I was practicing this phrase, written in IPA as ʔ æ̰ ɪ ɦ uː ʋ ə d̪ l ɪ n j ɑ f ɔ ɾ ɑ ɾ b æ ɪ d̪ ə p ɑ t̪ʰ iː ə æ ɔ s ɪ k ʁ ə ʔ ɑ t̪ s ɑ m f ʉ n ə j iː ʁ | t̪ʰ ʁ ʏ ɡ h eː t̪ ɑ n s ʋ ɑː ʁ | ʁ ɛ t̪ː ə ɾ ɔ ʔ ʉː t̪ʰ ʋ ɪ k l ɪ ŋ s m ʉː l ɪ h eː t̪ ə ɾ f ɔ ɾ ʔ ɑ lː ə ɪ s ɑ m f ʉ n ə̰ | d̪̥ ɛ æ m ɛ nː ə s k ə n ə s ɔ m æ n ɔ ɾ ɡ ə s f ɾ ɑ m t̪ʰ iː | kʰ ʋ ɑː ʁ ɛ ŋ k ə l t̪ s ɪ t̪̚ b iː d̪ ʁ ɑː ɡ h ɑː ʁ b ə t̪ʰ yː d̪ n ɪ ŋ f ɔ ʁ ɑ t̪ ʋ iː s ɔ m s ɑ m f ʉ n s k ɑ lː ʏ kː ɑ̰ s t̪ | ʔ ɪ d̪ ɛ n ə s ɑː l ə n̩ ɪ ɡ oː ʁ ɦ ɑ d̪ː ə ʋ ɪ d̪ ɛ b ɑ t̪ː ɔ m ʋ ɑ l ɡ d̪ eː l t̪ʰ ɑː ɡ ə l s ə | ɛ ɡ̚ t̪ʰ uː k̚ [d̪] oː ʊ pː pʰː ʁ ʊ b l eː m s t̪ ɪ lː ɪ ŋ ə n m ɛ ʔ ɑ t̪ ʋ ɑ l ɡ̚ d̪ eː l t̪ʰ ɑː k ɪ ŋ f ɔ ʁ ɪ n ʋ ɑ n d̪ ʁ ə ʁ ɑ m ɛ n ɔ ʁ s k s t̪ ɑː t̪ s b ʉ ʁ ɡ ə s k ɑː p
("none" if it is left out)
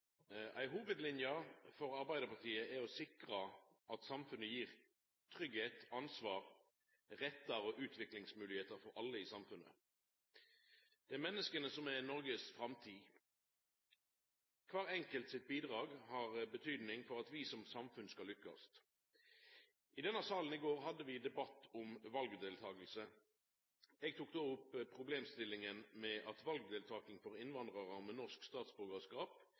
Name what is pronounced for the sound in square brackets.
d̪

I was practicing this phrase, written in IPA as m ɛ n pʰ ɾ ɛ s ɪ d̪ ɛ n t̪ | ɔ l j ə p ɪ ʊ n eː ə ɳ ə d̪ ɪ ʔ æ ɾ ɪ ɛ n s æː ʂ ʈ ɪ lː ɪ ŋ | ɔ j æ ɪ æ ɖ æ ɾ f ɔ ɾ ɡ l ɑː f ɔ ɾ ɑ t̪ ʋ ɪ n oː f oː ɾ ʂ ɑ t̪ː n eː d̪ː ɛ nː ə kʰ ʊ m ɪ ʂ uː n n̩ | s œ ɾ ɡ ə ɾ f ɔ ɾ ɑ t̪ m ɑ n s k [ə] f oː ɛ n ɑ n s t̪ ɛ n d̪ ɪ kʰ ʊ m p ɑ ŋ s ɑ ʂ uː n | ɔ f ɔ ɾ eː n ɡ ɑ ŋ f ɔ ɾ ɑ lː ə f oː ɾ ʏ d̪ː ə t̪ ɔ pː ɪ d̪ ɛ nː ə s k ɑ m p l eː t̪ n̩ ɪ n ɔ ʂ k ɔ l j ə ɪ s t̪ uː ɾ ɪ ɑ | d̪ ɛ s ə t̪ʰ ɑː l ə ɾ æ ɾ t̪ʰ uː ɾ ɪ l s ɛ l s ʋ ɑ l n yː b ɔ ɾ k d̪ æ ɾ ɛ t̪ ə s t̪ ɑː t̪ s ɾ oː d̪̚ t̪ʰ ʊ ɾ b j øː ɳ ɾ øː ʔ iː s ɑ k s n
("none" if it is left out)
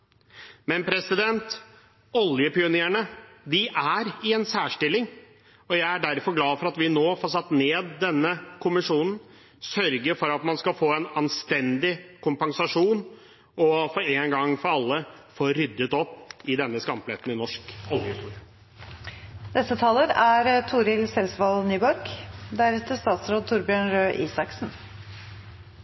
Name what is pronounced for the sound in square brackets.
ɑ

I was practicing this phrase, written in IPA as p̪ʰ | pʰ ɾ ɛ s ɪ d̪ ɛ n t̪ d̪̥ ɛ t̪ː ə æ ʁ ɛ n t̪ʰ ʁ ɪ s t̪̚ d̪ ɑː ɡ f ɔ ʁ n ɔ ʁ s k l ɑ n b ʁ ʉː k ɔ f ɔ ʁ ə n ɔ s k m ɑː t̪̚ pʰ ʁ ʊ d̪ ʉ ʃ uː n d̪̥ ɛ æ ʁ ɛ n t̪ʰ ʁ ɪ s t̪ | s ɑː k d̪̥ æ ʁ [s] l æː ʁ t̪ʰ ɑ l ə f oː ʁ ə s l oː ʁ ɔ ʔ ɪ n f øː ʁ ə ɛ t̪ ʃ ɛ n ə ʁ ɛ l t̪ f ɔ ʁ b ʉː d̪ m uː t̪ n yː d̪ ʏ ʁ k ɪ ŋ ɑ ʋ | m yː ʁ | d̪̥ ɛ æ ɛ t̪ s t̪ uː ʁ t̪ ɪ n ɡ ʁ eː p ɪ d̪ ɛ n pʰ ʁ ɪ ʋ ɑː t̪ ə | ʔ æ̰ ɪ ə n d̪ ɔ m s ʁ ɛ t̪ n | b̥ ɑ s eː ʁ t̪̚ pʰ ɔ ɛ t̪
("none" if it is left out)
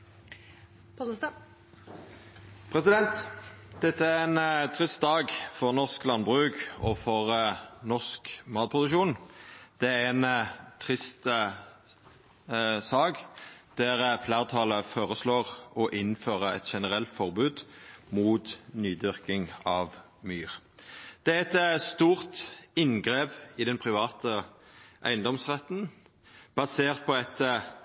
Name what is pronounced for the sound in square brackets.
f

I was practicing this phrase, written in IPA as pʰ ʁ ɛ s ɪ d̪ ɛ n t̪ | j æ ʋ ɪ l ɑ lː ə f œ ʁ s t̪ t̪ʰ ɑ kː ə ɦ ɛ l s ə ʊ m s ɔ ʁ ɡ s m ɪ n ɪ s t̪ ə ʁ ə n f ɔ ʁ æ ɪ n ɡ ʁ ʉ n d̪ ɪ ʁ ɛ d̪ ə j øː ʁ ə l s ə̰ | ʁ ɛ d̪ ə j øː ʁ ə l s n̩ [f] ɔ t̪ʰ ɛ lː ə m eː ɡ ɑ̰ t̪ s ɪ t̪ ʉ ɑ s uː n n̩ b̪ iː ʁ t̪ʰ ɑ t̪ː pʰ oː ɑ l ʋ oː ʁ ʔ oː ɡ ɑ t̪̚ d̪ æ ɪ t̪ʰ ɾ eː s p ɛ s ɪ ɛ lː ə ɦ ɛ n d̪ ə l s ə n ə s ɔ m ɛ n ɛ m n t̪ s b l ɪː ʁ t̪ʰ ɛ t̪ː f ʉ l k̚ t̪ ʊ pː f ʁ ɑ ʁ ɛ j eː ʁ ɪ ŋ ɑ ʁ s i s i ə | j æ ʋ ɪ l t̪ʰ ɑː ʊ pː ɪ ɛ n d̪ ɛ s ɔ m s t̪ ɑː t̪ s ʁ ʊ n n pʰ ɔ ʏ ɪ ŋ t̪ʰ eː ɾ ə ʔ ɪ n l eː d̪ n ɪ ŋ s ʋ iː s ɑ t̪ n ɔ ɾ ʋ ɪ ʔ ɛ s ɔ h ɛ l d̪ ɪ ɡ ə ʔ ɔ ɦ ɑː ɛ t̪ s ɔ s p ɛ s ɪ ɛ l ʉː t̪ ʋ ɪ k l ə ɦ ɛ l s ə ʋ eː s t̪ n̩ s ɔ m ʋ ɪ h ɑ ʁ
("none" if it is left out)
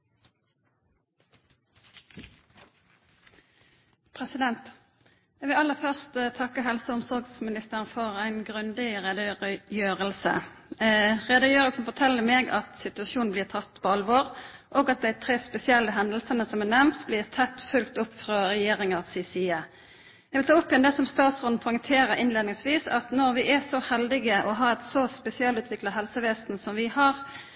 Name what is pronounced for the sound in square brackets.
f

